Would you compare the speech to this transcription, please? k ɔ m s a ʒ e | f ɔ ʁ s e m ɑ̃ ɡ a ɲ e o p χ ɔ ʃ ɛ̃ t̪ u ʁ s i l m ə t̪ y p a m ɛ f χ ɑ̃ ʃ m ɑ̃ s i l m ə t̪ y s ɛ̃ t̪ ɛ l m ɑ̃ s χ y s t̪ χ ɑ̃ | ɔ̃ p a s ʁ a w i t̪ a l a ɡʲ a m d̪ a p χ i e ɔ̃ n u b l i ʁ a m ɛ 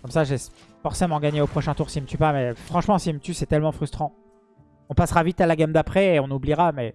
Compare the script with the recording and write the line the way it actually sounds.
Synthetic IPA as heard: k ɔ m s a ʒ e | f ɔ ʁ s e m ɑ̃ ɡ a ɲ e o p χ ɔ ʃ ɛ̃ t̪ u ʁ s i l m ə t̪ y p a m ɛ f χ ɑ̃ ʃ m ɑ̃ s i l m ə t̪ y s ɛ t̪ ɛ l m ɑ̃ f χ y s t̪ χ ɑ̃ | ɔ̃ p a s ʁ a v i t̪ a l a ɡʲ a m d̪ a p χ ɛ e ɔ̃ n u b l i ʁ a m ɛ